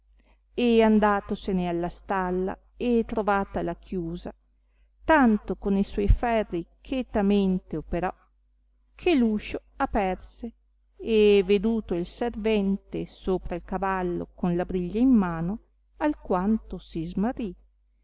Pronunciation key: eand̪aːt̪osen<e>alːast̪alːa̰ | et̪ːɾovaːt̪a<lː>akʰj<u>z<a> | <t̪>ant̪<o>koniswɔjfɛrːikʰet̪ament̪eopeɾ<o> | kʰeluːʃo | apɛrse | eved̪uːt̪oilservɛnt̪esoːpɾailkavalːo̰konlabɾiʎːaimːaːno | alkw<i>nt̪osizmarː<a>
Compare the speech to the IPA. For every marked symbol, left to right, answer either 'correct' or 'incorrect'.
correct, incorrect: l, incorrect: uː, correct, correct, correct, incorrect: ɔ, incorrect: a, incorrect: i

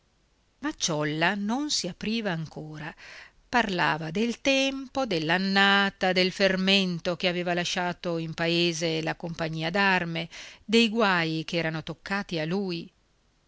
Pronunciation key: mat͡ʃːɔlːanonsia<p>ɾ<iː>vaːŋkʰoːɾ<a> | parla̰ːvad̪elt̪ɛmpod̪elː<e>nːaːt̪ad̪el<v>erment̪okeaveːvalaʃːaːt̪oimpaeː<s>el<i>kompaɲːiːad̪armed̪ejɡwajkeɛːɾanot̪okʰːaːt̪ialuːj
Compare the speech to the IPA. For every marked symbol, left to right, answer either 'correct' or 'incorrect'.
correct, correct, correct, incorrect: a, incorrect: f, incorrect: z, incorrect: a

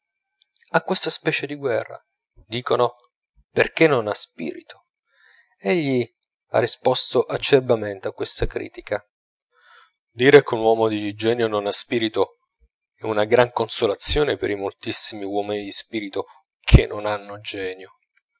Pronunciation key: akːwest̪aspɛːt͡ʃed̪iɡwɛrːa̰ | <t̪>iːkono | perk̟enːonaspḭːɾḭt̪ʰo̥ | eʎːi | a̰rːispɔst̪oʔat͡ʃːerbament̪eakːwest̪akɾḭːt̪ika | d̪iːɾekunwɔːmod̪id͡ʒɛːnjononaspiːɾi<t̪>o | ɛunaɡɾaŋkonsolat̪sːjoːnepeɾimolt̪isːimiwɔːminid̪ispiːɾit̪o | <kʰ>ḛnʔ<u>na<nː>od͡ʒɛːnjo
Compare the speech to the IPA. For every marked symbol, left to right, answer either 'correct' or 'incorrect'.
incorrect: d̪, correct, correct, incorrect: o, correct

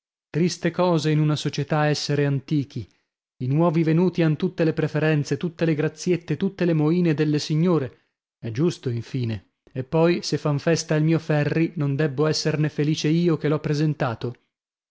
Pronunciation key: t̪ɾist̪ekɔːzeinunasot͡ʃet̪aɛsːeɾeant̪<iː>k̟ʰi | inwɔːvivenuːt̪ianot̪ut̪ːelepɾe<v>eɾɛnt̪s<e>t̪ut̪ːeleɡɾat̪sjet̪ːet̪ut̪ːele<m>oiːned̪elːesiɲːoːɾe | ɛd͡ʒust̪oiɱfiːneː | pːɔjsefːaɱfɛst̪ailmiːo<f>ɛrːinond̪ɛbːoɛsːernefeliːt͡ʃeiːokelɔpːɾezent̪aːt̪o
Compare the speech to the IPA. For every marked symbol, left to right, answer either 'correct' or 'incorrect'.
correct, incorrect: f, correct, correct, correct

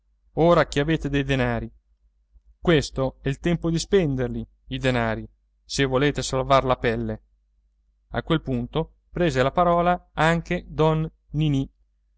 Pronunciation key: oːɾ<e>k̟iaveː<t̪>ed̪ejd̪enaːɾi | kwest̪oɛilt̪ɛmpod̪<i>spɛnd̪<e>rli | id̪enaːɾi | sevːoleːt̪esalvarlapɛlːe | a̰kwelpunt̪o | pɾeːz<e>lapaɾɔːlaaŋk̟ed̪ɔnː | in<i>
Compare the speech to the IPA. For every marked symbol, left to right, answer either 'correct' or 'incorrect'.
incorrect: a, correct, correct, correct, correct, correct

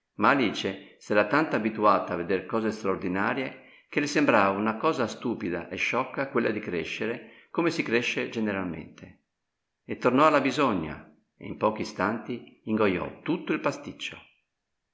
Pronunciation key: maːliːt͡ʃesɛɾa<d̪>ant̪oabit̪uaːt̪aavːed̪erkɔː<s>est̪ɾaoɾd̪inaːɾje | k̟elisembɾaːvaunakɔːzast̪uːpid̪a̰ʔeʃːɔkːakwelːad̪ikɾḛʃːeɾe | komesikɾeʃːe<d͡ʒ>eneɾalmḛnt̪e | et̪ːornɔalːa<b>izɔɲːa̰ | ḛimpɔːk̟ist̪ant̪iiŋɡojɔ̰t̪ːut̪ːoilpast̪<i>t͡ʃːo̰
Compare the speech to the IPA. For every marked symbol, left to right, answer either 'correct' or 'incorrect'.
incorrect: t̪, incorrect: z, correct, correct, correct

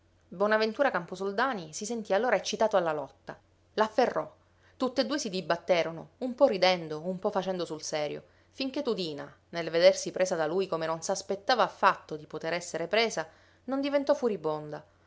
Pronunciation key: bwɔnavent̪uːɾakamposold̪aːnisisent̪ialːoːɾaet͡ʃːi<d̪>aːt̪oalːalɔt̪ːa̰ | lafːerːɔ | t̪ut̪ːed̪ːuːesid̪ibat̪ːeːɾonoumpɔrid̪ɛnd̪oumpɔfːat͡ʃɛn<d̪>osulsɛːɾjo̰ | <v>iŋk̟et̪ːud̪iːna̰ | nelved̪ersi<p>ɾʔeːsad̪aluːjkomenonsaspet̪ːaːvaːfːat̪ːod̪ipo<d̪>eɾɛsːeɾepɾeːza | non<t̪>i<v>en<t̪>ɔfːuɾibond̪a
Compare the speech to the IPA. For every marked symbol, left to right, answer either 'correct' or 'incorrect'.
incorrect: t̪, correct, incorrect: f, correct, incorrect: t̪, incorrect: d̪, correct, correct

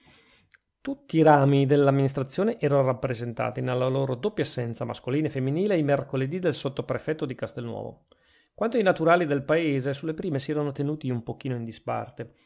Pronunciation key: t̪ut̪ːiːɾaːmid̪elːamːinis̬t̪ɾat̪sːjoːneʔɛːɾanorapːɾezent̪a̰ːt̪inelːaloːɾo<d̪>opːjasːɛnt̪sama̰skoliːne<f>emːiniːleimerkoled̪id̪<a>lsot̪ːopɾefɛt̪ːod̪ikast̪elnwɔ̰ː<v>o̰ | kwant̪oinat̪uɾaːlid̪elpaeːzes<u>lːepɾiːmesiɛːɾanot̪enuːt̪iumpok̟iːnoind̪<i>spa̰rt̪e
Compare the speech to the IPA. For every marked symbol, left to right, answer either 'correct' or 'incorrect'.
correct, correct, incorrect: e, correct, correct, correct

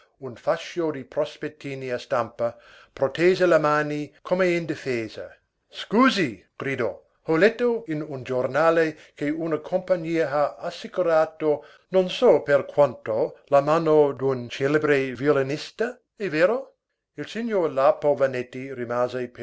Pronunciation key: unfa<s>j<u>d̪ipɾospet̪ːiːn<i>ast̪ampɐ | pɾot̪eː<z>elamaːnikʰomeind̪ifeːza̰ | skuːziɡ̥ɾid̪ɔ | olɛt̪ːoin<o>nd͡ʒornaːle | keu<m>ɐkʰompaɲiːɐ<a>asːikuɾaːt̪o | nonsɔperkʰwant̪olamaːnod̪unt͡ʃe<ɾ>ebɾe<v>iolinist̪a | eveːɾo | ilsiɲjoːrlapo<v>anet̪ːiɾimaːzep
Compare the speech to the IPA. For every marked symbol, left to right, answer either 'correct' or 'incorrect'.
incorrect: ʃ, incorrect: o, correct, correct, incorrect: u, incorrect: n, correct, incorrect: l, correct, correct

